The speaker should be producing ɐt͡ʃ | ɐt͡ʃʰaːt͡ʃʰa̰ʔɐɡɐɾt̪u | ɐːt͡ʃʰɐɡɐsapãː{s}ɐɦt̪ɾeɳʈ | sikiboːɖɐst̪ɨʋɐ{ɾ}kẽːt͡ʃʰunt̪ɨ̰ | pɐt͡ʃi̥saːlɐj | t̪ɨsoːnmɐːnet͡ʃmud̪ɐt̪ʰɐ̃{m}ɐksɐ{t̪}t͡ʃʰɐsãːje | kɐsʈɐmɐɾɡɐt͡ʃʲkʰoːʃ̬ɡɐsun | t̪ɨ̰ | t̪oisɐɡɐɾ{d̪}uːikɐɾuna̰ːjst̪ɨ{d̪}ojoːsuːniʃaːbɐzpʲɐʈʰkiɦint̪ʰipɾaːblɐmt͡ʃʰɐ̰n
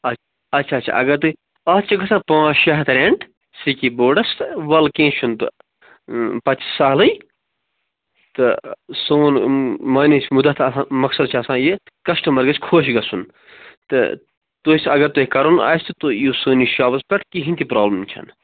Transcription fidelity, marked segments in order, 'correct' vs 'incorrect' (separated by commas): incorrect, incorrect, correct, incorrect, incorrect, incorrect